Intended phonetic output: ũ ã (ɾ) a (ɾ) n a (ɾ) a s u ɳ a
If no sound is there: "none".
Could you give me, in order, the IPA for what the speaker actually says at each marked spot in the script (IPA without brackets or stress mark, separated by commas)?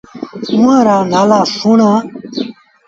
ɾ, none, l